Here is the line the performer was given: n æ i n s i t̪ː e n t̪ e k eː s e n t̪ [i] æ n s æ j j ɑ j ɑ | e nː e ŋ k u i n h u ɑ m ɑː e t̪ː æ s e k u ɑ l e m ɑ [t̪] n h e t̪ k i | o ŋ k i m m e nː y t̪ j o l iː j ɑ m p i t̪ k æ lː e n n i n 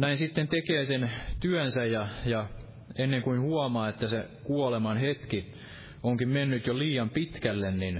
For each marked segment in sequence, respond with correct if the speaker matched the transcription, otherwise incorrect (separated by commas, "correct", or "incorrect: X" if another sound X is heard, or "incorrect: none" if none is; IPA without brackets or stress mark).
incorrect: y, incorrect: none